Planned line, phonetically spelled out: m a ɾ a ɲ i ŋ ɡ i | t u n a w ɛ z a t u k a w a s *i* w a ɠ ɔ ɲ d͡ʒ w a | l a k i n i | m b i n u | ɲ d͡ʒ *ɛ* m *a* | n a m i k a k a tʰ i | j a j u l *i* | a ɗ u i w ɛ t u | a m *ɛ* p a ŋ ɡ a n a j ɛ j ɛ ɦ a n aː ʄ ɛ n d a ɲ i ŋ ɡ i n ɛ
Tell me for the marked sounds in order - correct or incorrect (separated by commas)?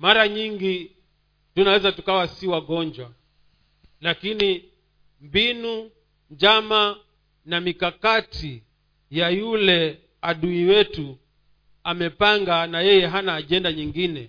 correct, incorrect, correct, incorrect, correct